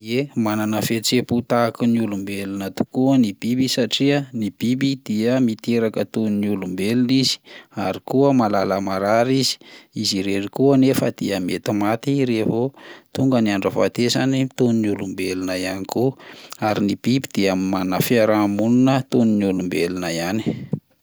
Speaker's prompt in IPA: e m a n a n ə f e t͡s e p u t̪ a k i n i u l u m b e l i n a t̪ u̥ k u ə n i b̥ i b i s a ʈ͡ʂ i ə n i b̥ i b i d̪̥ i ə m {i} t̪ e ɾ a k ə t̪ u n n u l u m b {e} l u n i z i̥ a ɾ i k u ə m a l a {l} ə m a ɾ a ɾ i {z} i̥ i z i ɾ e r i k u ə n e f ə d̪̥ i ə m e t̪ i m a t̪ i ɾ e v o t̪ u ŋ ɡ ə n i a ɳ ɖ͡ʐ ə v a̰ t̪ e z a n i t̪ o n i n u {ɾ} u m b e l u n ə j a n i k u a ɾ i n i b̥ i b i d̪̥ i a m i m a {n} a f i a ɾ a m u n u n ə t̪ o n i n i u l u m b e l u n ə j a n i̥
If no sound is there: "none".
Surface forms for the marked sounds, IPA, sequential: i, e, l, z, l, n

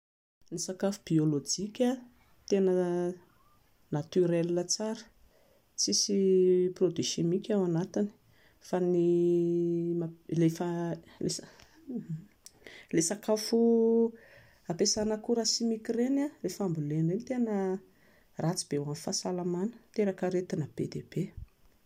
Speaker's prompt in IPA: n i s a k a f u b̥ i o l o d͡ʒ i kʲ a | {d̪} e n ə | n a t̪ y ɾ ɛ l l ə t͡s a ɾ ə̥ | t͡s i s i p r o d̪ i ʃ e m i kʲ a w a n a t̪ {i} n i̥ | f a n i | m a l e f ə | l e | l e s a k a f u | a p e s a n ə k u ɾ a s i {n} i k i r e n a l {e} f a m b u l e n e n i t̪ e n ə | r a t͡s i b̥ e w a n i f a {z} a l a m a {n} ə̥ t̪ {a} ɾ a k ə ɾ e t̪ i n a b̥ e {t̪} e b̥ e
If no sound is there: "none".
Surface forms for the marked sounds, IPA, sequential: t̪, i, m, e, s, n, e, d̪

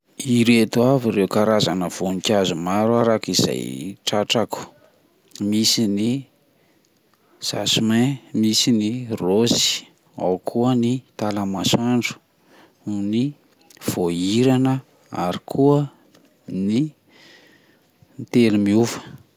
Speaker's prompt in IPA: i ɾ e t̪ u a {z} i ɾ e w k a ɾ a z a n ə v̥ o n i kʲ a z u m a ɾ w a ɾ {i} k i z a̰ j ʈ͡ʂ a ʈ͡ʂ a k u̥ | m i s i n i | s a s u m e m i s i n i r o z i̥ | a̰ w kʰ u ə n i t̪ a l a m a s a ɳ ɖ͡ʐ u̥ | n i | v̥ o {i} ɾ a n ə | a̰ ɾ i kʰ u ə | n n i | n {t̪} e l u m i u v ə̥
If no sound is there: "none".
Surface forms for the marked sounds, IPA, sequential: v, a, i, t̪

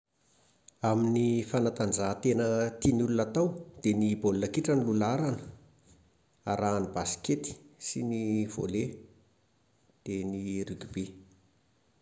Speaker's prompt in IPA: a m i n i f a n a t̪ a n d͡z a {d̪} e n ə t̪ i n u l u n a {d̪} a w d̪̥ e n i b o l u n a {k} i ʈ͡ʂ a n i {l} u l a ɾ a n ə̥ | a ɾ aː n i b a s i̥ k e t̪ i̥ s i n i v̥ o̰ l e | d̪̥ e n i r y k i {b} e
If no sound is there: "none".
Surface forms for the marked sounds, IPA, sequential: t̪, t̪, k, l, b

